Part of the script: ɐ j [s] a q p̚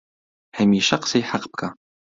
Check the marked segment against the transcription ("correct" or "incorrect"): incorrect